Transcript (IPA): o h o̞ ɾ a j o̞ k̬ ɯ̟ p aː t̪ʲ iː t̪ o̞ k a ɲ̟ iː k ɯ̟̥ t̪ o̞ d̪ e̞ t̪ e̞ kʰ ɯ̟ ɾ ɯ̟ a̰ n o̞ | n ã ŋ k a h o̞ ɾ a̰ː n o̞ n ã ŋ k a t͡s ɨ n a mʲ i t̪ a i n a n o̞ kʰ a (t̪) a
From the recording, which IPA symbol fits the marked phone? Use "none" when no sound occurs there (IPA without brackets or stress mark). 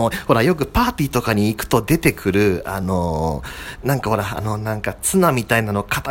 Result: t̪